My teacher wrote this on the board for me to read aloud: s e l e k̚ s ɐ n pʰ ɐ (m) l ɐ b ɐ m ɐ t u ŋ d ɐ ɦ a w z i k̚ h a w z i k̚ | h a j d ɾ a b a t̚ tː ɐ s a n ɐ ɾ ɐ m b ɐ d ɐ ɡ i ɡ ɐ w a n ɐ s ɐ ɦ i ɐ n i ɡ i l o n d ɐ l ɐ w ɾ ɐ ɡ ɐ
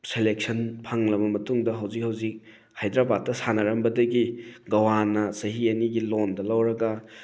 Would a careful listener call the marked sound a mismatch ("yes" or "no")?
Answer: yes